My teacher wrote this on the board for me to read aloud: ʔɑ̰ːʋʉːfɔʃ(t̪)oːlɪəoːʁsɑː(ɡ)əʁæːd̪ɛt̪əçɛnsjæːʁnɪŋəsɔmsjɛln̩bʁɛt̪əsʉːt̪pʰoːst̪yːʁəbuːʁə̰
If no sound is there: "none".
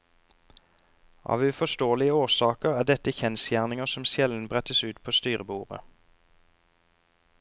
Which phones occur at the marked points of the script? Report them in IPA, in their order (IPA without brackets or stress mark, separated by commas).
t̪, k